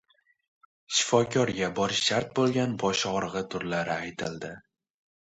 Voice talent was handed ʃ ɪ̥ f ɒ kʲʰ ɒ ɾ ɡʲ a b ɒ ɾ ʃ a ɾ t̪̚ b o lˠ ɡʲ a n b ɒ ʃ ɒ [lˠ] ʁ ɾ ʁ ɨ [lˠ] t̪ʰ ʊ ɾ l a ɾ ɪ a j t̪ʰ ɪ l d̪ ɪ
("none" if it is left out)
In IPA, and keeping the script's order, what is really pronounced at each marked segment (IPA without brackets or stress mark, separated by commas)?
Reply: none, none